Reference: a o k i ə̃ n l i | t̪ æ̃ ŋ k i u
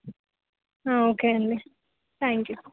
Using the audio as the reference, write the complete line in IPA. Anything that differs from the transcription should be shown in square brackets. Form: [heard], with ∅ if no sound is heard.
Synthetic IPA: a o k [e] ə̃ n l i | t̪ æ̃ ŋ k [j] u